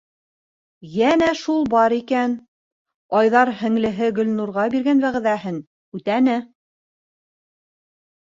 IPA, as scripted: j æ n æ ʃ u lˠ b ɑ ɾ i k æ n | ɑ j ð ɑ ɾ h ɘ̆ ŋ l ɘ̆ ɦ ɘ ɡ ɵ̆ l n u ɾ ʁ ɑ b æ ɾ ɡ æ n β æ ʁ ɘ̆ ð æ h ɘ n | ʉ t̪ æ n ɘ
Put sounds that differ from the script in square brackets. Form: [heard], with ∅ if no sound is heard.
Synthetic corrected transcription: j æ n æ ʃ u lˠ b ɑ ɾ i k æ n | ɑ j ð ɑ ɾ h ɘ̆ ŋ l ɘ̆ ɦ ɘ ɡ ɵ̆ l n u ɾ ʁ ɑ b [i] ɾ ɡ æ n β æ ʁ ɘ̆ ð æ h ɘ n | ʉ t̪ æ n ɘ